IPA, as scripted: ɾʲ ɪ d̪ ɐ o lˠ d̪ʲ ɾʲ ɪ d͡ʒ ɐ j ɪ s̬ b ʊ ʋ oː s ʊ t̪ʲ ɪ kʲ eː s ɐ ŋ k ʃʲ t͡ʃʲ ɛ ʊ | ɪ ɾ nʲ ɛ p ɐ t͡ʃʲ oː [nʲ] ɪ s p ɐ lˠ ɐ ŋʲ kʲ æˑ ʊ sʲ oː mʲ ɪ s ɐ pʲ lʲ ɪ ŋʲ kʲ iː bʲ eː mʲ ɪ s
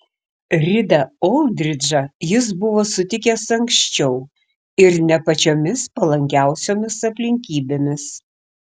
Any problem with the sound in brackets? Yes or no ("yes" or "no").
yes